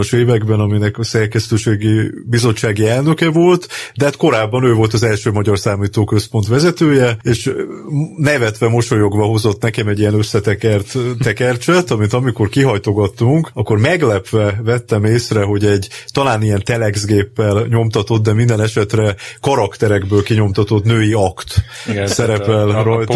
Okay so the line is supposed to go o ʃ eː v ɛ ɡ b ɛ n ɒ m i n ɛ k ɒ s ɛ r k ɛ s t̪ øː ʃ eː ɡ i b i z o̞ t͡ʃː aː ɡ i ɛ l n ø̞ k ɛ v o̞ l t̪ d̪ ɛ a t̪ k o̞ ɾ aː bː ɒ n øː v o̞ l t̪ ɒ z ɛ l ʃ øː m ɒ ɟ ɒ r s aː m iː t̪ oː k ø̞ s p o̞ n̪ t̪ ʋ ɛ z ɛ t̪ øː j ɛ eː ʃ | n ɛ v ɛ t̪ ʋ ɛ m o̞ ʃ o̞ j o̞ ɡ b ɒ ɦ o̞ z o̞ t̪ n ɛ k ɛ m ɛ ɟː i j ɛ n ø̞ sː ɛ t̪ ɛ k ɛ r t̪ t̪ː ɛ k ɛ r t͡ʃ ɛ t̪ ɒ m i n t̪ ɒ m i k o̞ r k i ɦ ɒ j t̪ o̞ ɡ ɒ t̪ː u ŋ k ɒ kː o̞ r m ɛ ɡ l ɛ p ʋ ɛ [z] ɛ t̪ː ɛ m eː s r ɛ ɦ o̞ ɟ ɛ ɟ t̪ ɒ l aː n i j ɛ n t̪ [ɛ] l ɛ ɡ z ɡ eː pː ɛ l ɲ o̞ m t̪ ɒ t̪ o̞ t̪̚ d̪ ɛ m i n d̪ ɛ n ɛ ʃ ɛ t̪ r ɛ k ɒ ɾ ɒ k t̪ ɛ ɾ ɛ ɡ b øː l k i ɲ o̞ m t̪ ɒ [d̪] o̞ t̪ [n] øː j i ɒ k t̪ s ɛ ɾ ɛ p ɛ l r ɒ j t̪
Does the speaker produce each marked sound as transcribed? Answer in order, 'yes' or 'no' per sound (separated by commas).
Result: no, yes, no, yes